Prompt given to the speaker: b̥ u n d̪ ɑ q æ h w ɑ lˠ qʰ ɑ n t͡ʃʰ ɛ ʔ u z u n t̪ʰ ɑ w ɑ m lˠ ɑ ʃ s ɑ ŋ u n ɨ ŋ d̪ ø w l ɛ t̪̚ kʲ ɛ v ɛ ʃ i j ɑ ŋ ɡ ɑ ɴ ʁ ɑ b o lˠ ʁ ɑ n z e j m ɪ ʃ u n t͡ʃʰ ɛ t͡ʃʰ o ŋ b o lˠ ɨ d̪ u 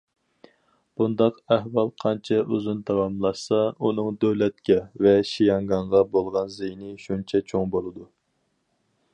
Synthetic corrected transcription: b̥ u n d̪ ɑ q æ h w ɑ lˠ qʰ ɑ n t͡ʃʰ ɛ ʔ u z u n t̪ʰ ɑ w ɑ m lˠ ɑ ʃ s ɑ u n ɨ ŋ d̪ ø w l ɛ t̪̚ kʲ ɛ v ɛ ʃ i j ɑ ŋ ɡ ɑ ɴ ʁ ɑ b o lˠ ʁ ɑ n z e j n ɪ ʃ u n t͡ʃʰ ɛ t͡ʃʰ o ŋ b o lˠ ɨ d̪ u